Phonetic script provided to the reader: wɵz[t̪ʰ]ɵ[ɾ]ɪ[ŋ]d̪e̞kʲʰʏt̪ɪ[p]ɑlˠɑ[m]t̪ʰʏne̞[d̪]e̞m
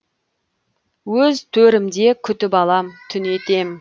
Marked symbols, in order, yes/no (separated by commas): yes, yes, no, yes, yes, no